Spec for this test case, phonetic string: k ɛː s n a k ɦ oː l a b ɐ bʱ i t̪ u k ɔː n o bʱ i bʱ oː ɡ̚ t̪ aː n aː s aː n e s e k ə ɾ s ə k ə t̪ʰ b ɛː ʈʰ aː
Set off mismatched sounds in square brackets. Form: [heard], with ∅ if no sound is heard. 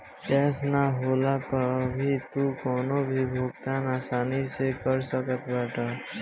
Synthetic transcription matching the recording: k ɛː s n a [∅] ɦ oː l a [p] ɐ bʱ i t̪ u k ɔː n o bʱ i bʱ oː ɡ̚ t̪ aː n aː s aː n [i] s e k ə ɾ s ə k ə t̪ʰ b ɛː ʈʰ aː